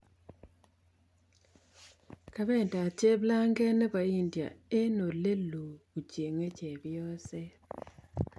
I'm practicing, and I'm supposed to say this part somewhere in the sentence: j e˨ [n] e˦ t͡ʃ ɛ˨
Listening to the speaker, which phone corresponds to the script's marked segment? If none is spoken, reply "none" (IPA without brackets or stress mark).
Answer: ŋ